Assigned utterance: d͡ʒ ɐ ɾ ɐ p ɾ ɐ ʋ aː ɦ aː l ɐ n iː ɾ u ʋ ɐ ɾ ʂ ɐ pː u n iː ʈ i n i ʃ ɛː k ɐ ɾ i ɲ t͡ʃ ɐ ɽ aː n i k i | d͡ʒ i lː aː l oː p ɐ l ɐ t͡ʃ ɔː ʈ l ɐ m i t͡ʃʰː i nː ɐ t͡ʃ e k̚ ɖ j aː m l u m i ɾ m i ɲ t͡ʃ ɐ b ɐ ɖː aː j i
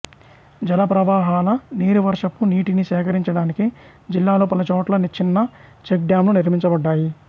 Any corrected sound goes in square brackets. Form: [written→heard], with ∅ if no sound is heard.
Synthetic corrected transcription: d͡ʒ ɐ [ɾ→l] ɐ p ɾ ɐ ʋ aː ɦ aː l ɐ n iː ɾ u ʋ ɐ ɾ ʂ ɐ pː u n iː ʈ i n i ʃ ɛː k ɐ ɾ i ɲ t͡ʃ ɐ ɽ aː n i k i | d͡ʒ i lː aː l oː p ɐ l ɐ t͡ʃ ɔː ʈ l ɐ [m→n] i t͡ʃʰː i nː ɐ t͡ʃ e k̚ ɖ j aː m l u [m→n] i ɾ m i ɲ t͡ʃ ɐ b ɐ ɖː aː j i